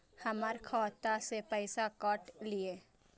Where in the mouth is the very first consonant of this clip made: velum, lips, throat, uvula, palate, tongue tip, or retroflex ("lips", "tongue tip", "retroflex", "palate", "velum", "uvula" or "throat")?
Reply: throat